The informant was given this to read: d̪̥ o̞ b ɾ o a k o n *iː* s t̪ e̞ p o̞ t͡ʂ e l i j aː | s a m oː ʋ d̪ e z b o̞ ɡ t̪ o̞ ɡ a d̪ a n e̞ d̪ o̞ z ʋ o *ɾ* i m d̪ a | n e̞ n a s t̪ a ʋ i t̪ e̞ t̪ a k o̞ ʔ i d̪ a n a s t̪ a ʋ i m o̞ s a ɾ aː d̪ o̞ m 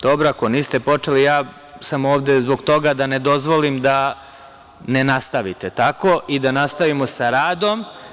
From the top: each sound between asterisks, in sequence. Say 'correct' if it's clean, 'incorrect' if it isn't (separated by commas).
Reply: correct, incorrect